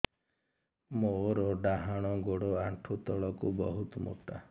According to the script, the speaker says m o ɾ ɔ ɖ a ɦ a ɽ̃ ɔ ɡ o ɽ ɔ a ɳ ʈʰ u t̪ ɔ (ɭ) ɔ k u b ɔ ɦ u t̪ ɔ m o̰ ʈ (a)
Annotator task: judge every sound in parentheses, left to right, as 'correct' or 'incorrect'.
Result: correct, correct

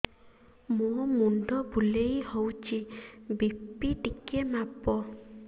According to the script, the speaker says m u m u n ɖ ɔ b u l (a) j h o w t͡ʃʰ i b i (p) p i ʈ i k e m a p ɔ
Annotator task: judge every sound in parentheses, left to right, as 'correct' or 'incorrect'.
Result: incorrect: e, correct

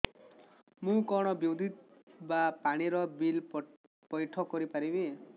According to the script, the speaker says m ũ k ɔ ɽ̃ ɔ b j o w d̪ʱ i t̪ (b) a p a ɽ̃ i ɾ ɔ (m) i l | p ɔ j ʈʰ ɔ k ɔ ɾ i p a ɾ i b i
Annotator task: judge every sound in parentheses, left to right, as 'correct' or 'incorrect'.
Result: correct, incorrect: b

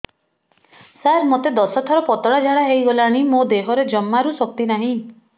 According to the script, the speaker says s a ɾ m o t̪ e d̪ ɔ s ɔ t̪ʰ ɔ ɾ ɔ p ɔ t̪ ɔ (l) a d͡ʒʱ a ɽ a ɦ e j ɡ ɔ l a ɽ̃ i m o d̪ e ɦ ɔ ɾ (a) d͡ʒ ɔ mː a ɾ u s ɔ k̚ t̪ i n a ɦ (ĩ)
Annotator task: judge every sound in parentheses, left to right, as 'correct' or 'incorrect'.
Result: incorrect: ɽ, incorrect: e, correct

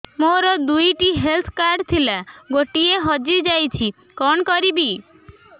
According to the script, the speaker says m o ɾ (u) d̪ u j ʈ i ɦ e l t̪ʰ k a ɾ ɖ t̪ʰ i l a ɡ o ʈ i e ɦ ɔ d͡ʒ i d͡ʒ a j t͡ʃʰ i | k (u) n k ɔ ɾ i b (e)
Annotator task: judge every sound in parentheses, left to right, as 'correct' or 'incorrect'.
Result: incorrect: ɔ, incorrect: ɔ, incorrect: i

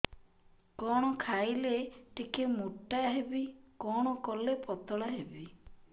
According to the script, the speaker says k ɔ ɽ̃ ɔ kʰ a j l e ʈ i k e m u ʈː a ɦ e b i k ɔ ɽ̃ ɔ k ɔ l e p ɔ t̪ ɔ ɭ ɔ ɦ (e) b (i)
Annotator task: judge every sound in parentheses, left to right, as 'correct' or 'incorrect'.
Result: correct, correct

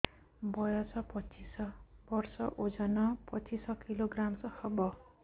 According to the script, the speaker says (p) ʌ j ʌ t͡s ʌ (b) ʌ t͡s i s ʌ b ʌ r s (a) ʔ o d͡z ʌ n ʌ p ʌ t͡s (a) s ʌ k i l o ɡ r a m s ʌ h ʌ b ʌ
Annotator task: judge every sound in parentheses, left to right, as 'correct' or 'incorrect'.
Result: incorrect: b, incorrect: p, incorrect: ʌ, incorrect: i

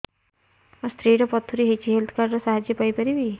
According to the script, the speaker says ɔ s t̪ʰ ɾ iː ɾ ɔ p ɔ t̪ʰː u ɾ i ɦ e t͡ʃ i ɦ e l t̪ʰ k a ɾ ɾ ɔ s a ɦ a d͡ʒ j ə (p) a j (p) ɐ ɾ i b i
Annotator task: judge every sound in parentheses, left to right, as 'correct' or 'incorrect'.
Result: correct, correct

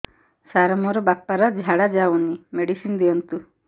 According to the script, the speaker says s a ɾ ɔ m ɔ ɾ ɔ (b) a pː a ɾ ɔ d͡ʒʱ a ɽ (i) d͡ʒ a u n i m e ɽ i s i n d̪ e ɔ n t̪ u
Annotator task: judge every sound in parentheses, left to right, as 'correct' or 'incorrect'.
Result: correct, incorrect: a

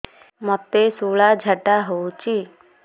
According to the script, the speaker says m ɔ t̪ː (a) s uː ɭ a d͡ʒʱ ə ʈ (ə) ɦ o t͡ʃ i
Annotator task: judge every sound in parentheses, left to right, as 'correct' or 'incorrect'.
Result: incorrect: e, incorrect: a

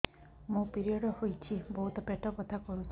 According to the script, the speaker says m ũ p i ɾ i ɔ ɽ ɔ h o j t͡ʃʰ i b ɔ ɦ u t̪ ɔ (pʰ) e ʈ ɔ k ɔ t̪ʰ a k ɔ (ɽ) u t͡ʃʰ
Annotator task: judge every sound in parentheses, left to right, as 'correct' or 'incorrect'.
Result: incorrect: p, incorrect: ɾ

